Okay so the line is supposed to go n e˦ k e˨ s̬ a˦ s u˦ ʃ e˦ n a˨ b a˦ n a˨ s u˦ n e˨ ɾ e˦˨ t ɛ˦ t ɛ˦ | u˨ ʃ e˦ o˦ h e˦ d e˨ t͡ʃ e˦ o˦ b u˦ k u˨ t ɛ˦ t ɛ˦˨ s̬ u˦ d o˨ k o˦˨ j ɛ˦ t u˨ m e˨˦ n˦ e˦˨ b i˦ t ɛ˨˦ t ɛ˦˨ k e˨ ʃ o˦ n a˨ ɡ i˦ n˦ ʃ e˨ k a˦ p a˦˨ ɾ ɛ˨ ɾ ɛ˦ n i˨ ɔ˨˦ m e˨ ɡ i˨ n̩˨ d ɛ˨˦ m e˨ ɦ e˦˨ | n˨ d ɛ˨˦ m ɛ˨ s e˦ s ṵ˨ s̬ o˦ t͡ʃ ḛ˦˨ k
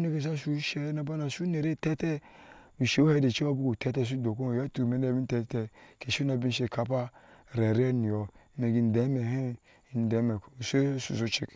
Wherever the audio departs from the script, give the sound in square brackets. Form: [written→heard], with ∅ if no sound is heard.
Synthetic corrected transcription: n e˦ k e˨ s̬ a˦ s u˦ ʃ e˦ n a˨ b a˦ n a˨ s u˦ n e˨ ɾ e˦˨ t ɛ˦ t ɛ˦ | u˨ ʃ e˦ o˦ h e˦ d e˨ t͡ʃ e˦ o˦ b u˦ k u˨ t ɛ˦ t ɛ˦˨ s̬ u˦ d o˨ k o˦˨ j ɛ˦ t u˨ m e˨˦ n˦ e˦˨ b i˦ t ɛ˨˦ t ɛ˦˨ k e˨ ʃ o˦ n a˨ [ɡ→b] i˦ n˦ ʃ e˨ k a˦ p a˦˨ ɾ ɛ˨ ɾ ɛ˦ n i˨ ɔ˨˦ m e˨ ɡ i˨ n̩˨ d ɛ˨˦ m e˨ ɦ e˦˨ | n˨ d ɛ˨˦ m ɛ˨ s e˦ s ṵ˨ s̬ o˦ t͡ʃ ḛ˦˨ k